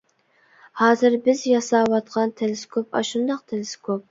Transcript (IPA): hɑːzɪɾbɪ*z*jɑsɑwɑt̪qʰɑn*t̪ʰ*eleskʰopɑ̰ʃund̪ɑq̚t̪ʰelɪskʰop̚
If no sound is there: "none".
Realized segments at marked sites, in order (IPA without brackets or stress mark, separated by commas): z, t̪ʰ